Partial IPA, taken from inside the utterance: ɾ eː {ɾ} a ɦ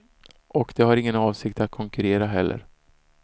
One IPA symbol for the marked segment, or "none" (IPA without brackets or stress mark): ɾ